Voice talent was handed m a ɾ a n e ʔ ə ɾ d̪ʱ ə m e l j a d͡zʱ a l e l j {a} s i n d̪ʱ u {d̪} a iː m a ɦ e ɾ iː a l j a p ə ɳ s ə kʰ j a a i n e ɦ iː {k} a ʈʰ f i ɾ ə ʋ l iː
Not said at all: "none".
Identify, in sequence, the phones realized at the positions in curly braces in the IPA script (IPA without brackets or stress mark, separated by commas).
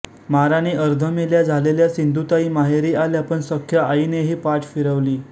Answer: a, t̪, p